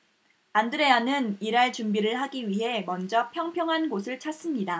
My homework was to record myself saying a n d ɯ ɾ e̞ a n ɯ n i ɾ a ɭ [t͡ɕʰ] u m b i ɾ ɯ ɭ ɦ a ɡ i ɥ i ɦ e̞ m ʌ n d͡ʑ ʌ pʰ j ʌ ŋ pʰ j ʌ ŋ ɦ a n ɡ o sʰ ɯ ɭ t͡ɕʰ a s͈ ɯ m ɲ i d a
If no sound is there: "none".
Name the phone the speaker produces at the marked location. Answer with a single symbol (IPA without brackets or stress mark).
t͡ɕ